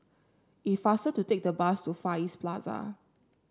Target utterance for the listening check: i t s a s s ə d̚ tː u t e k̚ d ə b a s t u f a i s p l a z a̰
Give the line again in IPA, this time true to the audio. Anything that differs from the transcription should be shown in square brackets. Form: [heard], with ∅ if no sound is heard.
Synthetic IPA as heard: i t [f] a s [t] ə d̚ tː u t e k̚ d ə b a s t u f a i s p l a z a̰